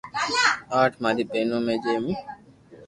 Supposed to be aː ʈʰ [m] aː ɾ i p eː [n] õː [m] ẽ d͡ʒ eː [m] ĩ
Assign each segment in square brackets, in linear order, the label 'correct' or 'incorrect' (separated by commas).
correct, correct, correct, correct